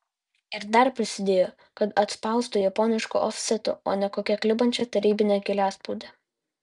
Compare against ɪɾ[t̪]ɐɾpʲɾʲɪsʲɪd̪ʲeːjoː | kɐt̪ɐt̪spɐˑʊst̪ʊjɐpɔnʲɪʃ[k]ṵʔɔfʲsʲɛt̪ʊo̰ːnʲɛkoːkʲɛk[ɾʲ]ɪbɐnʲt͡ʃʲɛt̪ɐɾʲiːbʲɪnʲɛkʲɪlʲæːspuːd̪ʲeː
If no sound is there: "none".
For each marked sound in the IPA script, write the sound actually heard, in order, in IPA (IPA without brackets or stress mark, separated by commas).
d̪, k, lʲ